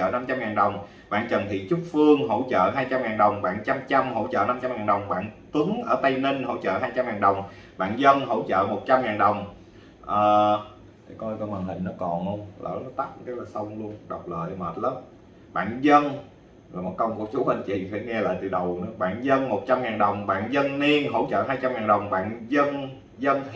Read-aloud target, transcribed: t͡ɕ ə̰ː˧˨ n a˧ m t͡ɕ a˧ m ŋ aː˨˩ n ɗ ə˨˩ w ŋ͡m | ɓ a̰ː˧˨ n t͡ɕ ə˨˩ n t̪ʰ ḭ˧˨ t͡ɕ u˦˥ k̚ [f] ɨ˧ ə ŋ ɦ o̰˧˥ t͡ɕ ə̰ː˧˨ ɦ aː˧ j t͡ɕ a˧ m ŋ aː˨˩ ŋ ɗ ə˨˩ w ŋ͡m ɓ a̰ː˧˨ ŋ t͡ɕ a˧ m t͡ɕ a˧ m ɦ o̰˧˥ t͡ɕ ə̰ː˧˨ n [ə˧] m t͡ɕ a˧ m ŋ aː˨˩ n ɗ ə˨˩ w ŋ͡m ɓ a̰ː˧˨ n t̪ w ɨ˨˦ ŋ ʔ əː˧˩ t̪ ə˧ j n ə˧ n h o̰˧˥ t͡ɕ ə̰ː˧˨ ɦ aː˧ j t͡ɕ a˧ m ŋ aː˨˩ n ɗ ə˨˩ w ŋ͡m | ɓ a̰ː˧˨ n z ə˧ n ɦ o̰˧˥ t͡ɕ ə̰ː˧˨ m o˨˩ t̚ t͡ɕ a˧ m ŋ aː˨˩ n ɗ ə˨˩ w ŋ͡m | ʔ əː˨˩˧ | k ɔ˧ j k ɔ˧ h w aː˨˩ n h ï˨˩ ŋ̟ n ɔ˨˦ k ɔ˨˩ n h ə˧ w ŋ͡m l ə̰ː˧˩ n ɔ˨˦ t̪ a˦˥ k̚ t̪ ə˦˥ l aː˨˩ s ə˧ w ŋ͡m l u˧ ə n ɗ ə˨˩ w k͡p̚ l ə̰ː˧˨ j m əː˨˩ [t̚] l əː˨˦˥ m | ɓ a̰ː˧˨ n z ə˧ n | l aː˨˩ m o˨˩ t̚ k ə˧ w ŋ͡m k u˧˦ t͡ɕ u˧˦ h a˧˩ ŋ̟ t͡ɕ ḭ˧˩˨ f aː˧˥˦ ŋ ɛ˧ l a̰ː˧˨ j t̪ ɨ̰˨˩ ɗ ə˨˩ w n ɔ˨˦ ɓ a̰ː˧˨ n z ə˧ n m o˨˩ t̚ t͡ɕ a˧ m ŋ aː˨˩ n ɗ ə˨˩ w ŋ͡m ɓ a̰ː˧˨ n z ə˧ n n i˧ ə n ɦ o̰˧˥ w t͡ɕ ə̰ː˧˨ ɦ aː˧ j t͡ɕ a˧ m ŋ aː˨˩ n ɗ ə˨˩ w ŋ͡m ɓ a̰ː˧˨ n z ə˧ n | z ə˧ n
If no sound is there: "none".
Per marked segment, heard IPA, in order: f, a˧, t̚

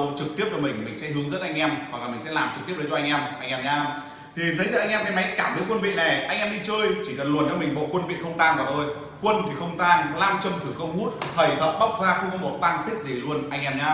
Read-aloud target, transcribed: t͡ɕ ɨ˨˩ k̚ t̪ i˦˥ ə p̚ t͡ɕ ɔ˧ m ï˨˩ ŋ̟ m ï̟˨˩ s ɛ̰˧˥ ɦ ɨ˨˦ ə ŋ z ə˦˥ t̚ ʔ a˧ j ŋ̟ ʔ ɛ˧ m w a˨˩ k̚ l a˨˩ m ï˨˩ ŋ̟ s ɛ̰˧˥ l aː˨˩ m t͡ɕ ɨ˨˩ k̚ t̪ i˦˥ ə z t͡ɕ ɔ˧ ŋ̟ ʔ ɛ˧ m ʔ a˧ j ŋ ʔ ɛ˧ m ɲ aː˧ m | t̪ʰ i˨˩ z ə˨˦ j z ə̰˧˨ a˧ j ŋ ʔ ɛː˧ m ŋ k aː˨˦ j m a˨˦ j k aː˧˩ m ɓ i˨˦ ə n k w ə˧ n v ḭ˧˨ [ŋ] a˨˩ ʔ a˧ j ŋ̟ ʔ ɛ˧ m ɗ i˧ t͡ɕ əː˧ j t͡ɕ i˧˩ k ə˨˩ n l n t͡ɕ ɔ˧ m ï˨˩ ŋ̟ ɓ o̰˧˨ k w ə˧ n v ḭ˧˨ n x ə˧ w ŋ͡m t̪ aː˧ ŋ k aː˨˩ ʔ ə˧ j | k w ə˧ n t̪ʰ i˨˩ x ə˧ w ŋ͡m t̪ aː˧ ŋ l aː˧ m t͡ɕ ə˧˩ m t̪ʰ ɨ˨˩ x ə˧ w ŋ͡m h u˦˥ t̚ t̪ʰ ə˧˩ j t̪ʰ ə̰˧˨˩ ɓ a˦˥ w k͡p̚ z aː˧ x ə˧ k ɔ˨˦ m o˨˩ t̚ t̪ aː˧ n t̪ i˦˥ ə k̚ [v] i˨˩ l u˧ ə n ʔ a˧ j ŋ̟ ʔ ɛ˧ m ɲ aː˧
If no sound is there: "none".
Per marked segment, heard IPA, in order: n, z

